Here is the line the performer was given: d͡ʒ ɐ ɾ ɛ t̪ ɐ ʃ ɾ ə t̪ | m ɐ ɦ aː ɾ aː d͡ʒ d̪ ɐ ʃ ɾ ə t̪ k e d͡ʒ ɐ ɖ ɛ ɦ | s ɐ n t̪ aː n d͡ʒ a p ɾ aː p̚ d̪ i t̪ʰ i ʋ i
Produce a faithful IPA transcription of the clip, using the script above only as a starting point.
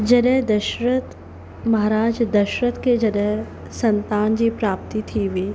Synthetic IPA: d͡ʒ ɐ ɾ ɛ d̪ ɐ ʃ ɾ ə t̪ | m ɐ ɦ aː ɾ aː d͡ʒ d̪ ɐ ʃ ɾ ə t̪ k e d͡ʒ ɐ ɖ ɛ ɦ | s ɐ n t̪ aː n d͡ʒ i p ɾ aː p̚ t̪ i t̪ʰ i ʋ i